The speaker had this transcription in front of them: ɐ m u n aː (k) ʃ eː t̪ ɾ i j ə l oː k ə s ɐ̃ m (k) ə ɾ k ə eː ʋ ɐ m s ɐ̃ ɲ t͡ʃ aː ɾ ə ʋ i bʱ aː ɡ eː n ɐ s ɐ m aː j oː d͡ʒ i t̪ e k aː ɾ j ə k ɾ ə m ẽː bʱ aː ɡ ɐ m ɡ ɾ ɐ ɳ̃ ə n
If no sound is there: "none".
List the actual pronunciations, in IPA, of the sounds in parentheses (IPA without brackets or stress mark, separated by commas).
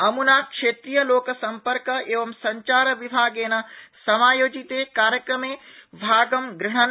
k, p